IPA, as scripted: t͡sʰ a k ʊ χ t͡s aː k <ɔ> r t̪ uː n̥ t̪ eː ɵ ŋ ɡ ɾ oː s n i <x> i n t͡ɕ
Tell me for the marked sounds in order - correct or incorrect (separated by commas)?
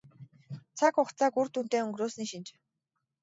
incorrect, incorrect